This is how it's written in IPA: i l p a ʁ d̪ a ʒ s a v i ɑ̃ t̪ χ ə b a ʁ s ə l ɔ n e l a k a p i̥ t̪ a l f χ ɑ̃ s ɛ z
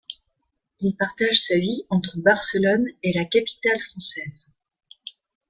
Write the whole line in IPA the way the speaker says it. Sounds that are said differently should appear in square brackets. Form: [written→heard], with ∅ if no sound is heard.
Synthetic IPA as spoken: i l p a ʁ [d̪→t̪] a ʒ s a v i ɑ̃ t̪ χ ə b a ʁ s ə l ɔ n e l a k a p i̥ t̪ a l f χ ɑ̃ s ɛ z